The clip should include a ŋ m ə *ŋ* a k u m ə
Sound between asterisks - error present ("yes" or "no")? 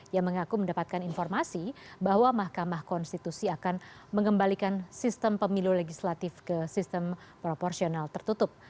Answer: no